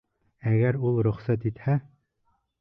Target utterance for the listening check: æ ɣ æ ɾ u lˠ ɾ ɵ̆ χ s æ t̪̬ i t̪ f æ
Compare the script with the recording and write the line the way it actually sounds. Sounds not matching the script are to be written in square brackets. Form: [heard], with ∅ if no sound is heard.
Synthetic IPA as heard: æ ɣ æ ɾ u lˠ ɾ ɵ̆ χ s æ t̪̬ i t̪ [h] æ